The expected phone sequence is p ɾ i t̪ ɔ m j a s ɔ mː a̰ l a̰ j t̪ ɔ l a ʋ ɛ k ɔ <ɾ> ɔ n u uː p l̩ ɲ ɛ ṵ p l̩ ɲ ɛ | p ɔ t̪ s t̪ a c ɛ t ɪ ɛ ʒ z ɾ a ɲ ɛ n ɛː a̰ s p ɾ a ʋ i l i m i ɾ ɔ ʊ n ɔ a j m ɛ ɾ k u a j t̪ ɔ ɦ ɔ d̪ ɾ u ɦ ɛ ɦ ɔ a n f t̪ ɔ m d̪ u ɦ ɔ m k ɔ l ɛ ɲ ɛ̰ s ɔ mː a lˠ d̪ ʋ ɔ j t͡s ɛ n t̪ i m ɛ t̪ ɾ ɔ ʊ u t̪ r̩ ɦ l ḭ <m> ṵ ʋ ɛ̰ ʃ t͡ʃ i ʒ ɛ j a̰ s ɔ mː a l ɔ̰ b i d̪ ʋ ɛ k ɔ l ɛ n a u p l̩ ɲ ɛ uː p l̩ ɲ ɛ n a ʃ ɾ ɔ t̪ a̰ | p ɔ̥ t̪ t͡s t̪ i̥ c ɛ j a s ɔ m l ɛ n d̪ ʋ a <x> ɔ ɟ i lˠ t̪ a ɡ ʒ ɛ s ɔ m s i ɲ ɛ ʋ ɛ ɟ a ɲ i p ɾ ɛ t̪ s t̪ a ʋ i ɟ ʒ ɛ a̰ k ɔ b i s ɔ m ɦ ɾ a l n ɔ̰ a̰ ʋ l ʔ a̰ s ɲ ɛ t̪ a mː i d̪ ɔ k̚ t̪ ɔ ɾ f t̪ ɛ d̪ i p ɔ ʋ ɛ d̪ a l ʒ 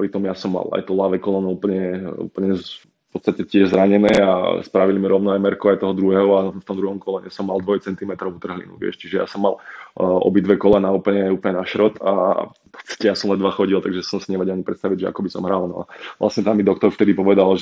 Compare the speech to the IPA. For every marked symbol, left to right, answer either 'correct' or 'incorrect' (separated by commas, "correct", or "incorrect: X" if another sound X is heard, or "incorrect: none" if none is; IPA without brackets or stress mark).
incorrect: l, incorrect: n, correct